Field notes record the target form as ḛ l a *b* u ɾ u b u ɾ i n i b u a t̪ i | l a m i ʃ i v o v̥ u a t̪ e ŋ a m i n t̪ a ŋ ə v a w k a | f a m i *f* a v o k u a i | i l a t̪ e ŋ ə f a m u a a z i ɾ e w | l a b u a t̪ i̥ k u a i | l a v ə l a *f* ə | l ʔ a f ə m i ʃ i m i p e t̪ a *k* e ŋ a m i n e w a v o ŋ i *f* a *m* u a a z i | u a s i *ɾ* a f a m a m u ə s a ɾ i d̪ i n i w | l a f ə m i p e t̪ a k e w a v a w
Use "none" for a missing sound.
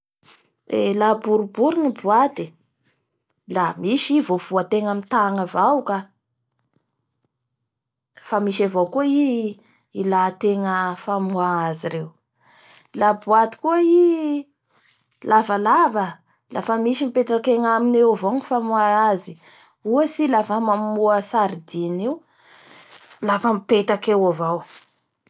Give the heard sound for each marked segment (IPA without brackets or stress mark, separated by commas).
b, ʃ, v, k, f, m, l